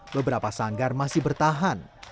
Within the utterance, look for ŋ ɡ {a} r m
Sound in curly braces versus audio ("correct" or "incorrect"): correct